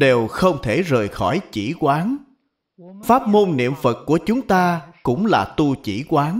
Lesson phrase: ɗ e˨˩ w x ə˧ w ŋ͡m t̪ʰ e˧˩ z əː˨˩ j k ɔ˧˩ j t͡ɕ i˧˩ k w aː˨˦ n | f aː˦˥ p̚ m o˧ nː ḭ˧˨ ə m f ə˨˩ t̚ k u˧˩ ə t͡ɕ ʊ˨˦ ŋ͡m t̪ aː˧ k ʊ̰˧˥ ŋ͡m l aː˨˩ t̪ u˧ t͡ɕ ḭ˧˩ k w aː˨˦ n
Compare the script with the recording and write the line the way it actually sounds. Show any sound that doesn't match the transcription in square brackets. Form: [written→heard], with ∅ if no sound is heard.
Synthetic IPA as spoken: ɗ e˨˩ w x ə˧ w ŋ͡m t̪ʰ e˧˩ z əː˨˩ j [k→x] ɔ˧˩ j t͡ɕ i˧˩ k w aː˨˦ n | f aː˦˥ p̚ m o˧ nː ḭ˧˨ ə m f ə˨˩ t̚ k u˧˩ ə t͡ɕ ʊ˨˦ ŋ͡m t̪ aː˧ k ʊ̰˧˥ ŋ͡m l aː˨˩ t̪ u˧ t͡ɕ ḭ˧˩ k w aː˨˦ n

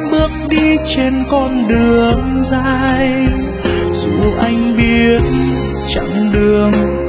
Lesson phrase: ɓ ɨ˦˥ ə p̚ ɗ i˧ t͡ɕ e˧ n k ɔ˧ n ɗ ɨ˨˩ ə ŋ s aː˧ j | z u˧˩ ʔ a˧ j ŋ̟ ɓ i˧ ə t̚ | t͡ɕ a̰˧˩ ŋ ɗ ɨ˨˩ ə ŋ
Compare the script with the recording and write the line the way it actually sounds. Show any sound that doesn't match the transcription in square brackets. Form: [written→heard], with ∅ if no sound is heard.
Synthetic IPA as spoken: ɓ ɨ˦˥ ə [p̚→k̚] ɗ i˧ t͡ɕ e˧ n k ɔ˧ n ɗ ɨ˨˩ ə ŋ [s→z] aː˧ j | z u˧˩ ʔ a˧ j ŋ̟ ɓ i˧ ə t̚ | t͡ɕ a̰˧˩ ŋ ɗ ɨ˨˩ ə ŋ

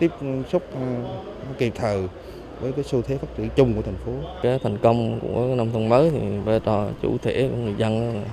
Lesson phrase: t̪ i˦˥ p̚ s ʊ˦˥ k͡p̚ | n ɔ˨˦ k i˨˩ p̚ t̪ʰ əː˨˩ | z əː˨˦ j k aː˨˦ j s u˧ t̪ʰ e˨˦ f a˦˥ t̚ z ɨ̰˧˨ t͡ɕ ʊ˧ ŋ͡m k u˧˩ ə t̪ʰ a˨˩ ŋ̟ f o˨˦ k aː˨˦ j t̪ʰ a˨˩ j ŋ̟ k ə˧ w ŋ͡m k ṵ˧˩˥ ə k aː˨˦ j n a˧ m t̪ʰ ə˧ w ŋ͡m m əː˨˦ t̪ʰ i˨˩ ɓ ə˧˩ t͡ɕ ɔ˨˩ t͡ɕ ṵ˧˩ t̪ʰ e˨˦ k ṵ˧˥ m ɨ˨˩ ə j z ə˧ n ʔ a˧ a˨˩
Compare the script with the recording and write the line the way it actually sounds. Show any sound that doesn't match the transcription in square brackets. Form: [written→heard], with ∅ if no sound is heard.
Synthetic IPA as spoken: t̪ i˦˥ p̚ s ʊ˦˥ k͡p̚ | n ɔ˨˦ k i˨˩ p̚ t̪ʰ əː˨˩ | [z→v] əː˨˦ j k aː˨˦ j s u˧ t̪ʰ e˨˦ f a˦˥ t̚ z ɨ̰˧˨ t͡ɕ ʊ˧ ŋ͡m k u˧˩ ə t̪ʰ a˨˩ ŋ̟ f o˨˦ k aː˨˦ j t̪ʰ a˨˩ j ŋ̟ k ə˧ w ŋ͡m k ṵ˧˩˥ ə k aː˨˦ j n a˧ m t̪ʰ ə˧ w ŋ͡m m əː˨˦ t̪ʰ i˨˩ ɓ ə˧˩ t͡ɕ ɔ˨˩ t͡ɕ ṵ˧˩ t̪ʰ [e˨˦→e˧˩] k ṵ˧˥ [m→ŋ] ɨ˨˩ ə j z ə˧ n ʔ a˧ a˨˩

